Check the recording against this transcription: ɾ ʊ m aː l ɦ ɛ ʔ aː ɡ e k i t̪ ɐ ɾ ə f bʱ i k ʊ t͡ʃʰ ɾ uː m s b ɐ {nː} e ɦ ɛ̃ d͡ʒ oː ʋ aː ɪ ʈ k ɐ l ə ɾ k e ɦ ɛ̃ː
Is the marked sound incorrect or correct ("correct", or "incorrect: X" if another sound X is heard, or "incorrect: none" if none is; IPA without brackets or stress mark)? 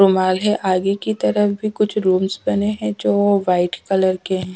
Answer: incorrect: n